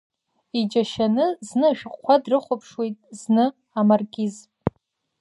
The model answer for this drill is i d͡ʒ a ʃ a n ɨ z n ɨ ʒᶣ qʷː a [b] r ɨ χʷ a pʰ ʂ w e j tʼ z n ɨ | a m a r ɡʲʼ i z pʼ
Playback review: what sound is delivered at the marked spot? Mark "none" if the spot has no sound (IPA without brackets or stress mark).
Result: d